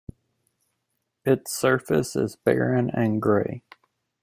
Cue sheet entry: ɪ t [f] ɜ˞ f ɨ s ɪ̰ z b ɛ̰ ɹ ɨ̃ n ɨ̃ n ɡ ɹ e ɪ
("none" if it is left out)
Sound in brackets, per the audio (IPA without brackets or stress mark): s